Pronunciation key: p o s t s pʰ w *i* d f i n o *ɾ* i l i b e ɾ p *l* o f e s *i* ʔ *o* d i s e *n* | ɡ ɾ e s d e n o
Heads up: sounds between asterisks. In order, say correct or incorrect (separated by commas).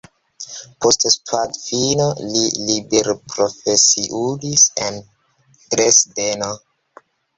incorrect, incorrect, incorrect, correct, incorrect, correct